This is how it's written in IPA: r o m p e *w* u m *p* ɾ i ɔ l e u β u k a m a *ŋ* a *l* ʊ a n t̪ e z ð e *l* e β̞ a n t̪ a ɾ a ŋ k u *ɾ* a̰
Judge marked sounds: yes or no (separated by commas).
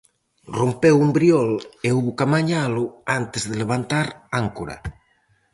yes, no, no, yes, yes, yes